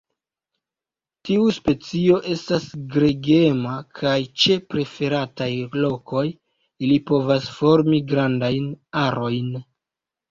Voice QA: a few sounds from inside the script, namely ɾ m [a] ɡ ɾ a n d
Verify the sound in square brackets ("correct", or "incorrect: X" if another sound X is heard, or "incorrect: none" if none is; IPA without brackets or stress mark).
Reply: incorrect: i